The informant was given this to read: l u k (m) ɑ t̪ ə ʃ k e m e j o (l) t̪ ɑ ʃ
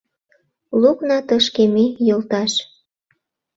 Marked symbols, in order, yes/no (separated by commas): no, yes